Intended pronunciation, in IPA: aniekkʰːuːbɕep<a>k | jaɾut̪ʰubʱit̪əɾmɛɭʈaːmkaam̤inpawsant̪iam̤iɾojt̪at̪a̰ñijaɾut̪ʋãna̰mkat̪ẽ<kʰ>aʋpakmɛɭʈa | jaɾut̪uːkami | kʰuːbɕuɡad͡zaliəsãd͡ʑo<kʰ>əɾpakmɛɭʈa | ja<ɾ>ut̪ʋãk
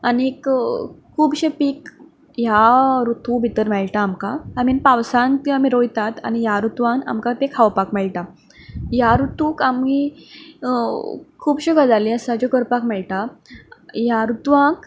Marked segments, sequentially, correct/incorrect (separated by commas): incorrect, correct, incorrect, correct